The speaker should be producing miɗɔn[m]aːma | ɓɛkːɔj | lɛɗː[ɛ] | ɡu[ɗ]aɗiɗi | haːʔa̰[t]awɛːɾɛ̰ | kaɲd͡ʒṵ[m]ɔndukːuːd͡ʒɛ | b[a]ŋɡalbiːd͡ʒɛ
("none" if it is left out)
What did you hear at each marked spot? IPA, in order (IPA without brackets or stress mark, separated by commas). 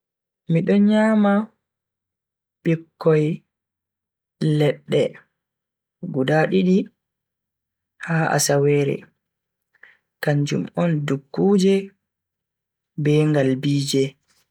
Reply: ɲ, ɛ, d, s, m, ɛ